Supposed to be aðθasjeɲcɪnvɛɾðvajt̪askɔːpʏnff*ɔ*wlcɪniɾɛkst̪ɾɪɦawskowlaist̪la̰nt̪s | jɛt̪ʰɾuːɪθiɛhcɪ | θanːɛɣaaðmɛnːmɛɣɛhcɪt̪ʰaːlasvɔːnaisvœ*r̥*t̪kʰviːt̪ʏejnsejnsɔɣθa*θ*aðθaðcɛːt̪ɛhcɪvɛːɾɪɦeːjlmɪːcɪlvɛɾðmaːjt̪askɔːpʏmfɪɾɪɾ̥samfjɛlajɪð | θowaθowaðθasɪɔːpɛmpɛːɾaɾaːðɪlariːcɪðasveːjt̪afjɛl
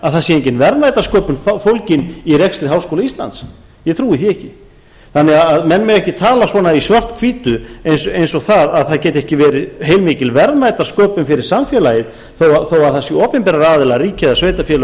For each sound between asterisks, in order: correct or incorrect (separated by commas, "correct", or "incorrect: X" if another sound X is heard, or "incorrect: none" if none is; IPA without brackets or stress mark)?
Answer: incorrect: o, correct, incorrect: ð